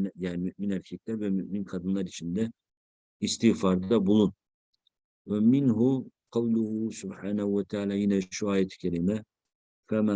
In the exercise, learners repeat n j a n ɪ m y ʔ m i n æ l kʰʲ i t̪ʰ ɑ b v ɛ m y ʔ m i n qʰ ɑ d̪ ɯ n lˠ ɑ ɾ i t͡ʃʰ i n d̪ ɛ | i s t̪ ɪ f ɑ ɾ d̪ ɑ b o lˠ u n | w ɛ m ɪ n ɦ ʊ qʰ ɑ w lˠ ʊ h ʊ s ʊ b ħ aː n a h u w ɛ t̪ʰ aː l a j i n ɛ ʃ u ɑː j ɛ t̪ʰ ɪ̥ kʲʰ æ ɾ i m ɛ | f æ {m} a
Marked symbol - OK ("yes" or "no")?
yes